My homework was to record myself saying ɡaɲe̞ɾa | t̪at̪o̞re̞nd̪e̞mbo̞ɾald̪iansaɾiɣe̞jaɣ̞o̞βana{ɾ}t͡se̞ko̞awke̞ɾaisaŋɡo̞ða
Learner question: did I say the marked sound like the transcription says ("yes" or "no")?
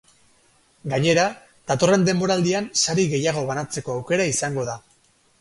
no